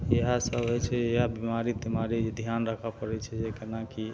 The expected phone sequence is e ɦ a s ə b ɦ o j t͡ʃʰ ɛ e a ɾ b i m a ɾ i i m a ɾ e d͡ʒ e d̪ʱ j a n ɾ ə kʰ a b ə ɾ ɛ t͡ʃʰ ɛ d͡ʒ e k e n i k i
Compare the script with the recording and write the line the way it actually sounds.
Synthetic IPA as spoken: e ɦ a s ə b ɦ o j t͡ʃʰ ɛ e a b i m a ɾ i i m a ɾ i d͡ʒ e d̪ʱ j a n ɾ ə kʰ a p ə ɾ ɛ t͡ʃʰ ɛ d͡ʒ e k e n a k i